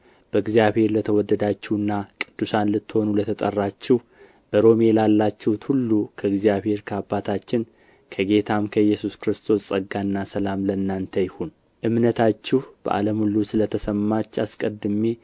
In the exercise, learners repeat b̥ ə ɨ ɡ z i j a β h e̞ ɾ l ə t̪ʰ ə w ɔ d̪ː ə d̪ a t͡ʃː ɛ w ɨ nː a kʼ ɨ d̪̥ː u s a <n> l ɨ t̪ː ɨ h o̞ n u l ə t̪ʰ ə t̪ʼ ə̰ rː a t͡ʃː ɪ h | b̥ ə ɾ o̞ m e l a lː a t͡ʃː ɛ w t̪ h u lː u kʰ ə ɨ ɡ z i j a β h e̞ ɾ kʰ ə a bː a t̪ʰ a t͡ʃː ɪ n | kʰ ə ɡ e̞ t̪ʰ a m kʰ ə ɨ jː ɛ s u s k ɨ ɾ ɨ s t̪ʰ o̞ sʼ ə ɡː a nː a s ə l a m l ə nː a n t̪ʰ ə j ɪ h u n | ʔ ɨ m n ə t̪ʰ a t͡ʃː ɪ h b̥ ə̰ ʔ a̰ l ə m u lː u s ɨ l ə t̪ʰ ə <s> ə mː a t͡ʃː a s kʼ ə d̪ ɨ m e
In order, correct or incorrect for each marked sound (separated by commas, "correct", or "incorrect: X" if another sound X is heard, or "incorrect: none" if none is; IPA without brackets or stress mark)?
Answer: correct, correct